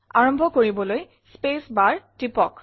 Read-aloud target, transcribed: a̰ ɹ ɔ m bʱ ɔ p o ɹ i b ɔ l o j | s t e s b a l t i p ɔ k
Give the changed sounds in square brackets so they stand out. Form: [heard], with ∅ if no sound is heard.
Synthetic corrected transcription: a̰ ɹ ɔ m bʱ ɔ [k] o ɹ i b ɔ l o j | s [p] e s b a [ɹ] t i p ɔ k

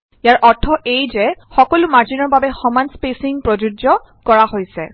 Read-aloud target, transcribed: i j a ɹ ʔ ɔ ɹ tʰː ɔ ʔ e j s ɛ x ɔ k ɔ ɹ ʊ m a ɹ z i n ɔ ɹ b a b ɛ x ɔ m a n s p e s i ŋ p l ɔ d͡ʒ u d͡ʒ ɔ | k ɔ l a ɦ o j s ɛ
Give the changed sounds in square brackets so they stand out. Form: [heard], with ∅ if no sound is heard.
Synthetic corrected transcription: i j a ɹ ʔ ɔ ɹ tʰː ɔ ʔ e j [z] ɛ x ɔ k ɔ [l] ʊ m a ɹ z i n ɔ ɹ b a b ɛ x ɔ m a n s p e s i ŋ p [ɹ] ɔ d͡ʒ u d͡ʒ ɔ | k ɔ [ɹ] a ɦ o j s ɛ

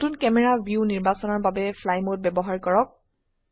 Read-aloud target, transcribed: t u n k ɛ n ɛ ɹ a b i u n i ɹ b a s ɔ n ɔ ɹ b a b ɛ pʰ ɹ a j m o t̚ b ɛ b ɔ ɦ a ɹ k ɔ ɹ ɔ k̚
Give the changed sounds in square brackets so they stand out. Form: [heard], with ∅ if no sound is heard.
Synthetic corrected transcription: t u n k ɛ [m] ɛ ɹ a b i u n i ɹ b a s ɔ n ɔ ɹ b a b ɛ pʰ [l] a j m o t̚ b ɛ b ɔ ɦ a ɹ k ɔ ɹ ɔ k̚

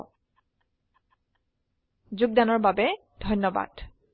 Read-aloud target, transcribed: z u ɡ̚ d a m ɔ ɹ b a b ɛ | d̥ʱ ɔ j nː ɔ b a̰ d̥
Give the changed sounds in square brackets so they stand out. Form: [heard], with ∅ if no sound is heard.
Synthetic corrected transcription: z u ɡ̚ d a [n] ɔ ɹ b a b ɛ | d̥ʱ ɔ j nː ɔ b a̰ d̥

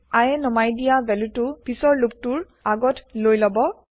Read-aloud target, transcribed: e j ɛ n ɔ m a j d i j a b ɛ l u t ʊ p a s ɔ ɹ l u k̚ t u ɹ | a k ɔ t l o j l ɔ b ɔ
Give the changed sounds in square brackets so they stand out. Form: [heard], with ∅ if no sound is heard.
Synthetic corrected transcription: [a] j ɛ n ɔ m a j d i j a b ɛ l u t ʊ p [i] s ɔ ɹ l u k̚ t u ɹ | a [ɡ] ɔ t l o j l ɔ b ɔ

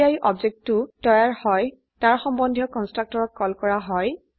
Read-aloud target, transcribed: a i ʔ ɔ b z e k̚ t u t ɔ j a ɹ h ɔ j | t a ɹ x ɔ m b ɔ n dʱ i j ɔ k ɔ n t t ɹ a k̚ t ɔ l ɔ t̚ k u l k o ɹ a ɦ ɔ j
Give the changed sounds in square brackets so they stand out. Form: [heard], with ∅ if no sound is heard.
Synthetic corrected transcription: a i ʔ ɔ b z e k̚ t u t ɔ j a ɹ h ɔ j | t a ɹ x ɔ m b ɔ n dʱ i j ɔ k ɔ n [s] t ɹ a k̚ t ɔ [ɹ] ɔ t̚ k [ɔ] l k [ɔ] ɹ a ɦ ɔ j

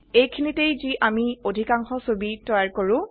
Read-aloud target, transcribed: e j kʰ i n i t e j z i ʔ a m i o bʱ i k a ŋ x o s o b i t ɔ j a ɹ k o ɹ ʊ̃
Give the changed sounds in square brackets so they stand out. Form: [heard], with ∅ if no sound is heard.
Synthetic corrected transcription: e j kʰ i n i t e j z i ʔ a m i o [dʱ] i k a ŋ x [ɔ] s o b i t ɔ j a ɹ k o ɹ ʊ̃

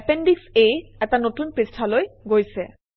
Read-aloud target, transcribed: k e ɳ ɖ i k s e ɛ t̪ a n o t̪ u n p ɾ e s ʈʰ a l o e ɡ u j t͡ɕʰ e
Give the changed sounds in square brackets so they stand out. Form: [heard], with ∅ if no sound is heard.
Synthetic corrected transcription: [p] e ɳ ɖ i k s e ɛ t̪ a n o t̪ u n p ɾ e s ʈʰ a l o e ɡ [o] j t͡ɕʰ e

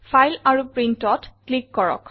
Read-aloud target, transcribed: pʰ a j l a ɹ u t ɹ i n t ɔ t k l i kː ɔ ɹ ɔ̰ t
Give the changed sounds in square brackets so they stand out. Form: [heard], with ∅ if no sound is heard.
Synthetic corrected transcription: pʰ a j l a ɹ u [p] ɹ i n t ɔ t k l i kː ɔ ɹ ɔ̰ [k]

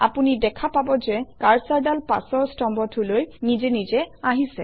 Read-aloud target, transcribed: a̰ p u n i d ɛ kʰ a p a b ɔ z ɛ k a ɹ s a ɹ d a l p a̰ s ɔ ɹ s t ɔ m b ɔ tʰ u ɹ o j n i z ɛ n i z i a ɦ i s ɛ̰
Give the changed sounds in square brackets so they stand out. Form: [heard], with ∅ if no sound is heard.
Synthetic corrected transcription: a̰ p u n i d ɛ kʰ a p a b ɔ z ɛ k a ɹ s a ɹ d a l p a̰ s ɔ ɹ s t ɔ m b ɔ tʰ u [l] o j n i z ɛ n i z [ɛ] a ɦ i s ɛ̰

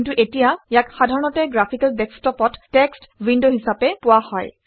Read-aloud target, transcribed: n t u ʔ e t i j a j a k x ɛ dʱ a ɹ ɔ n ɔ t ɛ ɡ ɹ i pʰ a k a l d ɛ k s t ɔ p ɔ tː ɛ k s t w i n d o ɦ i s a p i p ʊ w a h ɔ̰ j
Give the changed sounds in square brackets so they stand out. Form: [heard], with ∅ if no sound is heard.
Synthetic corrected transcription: n t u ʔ e t i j a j a k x [a] dʱ a ɹ ɔ n ɔ t ɛ ɡ ɹ [a] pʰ [i] k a l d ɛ k s t ɔ p ɔ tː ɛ k s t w i n d o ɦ i s a p [ɛ] p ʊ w a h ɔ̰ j

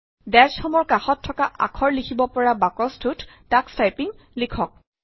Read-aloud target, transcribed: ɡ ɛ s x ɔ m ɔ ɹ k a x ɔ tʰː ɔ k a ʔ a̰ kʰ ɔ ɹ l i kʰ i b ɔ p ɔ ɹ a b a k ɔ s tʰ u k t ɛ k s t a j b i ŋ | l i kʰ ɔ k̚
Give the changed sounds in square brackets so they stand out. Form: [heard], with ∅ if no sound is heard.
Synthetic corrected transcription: [d] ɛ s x ɔ m ɔ ɹ k a x ɔ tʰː ɔ k a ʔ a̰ kʰ ɔ ɹ l i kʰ i b ɔ p ɔ ɹ a b a k ɔ s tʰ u [t] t [a] k s t a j [p] i ŋ | l i kʰ ɔ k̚

